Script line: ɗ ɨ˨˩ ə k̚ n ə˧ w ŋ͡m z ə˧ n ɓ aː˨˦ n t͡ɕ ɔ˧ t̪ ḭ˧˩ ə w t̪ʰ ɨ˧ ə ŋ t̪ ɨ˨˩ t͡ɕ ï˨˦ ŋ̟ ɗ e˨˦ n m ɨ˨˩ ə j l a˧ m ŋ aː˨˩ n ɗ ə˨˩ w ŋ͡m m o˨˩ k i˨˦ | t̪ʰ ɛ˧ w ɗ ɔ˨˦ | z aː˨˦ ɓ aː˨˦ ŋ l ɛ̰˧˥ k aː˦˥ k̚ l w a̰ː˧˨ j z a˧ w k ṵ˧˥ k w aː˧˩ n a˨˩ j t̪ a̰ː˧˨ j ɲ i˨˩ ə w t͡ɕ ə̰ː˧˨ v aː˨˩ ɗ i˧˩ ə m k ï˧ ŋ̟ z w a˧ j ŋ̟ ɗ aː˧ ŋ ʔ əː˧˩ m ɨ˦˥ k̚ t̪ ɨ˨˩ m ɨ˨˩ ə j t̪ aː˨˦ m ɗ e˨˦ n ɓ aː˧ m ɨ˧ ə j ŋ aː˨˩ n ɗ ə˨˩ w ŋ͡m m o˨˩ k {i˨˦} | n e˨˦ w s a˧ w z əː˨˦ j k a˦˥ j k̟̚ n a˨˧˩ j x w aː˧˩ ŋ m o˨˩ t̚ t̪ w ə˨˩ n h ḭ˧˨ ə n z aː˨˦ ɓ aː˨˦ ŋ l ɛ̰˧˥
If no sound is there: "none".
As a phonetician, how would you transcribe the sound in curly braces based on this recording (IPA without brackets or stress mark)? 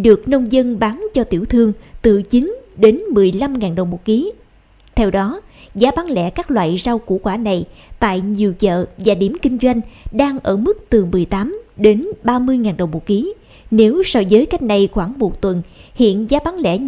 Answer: i˨˦